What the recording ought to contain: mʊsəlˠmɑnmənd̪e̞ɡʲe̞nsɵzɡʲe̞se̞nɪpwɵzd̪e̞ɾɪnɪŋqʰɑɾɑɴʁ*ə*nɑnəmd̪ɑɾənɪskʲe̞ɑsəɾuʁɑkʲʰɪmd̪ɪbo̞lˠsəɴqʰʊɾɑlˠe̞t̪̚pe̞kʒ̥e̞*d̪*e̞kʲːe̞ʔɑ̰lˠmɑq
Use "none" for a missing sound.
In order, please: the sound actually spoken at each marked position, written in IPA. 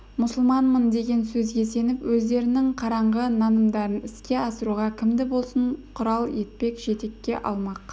ə, t̪

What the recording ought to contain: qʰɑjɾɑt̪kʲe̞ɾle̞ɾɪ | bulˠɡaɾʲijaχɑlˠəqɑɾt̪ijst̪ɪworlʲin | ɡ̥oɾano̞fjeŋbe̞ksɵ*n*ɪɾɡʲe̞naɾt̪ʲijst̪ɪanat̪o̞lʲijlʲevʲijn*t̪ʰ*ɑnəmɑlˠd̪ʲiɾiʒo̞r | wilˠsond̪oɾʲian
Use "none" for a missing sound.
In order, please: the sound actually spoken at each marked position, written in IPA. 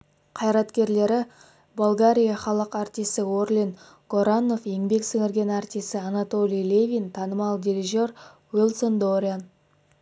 ŋ, t̪ʰ

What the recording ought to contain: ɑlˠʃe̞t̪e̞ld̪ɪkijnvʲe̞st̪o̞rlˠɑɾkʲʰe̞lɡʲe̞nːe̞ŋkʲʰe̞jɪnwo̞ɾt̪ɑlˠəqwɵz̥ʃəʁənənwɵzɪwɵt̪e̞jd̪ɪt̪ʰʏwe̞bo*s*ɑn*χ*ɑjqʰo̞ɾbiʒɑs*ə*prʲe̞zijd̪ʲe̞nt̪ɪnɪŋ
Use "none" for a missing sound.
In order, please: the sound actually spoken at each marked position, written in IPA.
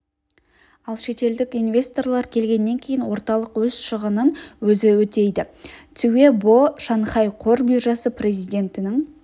ʃ, χ, ə

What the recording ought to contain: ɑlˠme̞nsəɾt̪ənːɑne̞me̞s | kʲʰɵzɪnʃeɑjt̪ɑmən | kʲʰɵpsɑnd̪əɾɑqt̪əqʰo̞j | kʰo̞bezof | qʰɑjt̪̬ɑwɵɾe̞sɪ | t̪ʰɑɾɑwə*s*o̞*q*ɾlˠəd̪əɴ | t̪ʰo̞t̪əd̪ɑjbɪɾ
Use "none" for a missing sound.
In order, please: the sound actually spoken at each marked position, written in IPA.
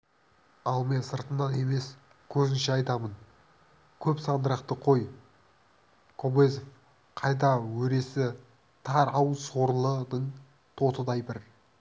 s, none

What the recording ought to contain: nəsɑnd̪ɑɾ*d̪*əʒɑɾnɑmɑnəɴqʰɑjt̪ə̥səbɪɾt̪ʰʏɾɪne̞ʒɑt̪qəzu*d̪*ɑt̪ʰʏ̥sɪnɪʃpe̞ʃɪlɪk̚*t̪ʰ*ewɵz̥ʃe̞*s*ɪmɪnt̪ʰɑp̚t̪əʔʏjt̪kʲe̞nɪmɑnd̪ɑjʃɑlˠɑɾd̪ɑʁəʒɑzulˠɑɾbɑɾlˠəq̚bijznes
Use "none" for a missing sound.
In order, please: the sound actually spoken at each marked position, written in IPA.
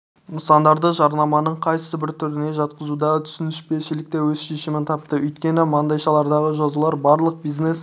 d̪, d̪, t̪, ʃ

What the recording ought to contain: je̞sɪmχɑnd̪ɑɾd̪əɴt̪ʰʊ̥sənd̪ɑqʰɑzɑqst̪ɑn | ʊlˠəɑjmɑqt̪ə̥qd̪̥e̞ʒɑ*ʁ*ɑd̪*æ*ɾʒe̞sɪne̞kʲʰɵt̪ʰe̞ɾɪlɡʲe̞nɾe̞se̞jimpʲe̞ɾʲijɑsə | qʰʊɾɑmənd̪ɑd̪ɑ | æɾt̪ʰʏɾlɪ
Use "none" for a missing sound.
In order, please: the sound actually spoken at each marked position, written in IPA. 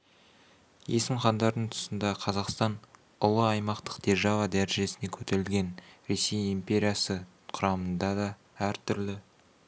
v, æ

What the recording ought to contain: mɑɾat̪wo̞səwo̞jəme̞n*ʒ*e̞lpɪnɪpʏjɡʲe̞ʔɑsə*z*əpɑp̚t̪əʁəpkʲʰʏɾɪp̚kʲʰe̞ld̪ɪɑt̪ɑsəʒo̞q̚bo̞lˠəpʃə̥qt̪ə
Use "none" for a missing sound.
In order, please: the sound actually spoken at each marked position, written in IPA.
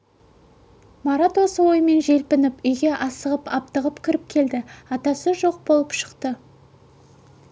ʒ, ʁ

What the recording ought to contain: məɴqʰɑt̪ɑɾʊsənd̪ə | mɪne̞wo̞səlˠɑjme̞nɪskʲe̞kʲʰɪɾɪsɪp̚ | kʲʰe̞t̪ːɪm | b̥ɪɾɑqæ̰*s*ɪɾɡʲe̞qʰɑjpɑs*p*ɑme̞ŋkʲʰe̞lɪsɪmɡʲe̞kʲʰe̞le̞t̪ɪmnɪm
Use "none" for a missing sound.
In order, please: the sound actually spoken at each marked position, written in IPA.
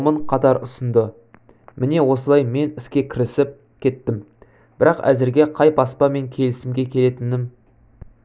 z, p

